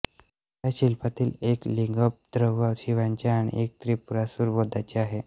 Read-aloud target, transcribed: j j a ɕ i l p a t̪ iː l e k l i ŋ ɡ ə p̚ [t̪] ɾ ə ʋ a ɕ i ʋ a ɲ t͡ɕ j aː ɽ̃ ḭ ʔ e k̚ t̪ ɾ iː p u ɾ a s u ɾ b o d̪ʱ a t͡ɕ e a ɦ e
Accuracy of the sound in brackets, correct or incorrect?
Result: incorrect